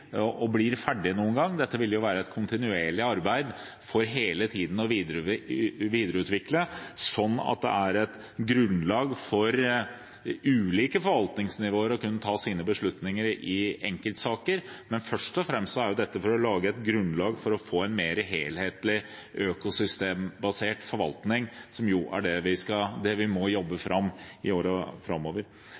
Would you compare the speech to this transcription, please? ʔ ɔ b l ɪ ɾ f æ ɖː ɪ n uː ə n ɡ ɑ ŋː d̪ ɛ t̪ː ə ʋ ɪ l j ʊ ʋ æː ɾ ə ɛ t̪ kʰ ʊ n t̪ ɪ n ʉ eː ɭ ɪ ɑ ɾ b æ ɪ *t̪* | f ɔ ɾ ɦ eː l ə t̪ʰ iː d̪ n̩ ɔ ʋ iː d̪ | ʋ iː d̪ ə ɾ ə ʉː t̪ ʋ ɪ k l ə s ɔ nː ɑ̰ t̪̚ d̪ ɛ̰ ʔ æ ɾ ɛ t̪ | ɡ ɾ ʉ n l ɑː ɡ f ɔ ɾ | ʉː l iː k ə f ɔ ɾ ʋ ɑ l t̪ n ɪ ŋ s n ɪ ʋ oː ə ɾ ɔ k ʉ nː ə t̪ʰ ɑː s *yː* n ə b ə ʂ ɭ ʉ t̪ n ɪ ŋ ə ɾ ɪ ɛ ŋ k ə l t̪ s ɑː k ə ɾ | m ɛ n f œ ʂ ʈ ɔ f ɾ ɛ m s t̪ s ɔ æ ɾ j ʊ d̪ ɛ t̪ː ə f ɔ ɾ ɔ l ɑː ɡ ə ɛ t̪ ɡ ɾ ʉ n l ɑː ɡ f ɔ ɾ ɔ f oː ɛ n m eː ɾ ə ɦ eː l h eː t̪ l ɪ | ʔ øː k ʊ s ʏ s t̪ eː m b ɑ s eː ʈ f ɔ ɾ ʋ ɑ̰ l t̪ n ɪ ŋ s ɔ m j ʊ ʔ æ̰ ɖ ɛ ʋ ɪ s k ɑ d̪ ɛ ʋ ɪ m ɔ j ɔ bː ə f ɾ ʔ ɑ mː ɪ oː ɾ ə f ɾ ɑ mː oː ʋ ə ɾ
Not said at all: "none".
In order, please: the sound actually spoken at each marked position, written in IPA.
d̪, iː

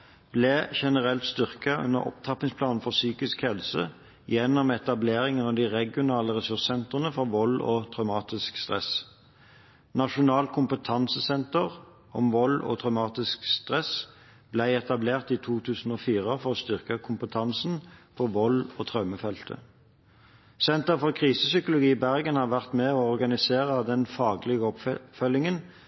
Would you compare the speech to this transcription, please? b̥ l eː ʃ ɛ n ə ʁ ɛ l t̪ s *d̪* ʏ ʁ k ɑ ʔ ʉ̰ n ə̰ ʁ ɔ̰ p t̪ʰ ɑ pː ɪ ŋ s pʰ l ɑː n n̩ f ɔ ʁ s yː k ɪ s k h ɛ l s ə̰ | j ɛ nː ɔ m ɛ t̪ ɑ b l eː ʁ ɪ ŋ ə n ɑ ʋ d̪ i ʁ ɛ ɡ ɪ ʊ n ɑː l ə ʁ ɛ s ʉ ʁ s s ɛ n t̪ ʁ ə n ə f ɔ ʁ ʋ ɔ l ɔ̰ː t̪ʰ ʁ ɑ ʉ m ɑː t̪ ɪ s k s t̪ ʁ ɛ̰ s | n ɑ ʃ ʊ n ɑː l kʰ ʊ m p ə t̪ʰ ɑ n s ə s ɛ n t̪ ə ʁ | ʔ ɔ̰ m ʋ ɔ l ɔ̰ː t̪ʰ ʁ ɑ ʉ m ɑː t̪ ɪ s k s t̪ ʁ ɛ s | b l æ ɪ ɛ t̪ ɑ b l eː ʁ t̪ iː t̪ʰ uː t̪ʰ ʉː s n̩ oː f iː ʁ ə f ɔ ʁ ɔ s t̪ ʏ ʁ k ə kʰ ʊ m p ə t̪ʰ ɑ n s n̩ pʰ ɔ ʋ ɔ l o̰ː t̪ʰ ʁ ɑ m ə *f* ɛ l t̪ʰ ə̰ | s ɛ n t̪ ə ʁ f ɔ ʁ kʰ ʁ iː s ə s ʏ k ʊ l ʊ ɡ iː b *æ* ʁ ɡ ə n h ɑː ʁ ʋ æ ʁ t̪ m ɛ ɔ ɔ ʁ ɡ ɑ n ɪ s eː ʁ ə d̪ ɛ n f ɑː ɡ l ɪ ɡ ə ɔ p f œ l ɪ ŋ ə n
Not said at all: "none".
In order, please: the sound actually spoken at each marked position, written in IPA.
t̪, f, æ

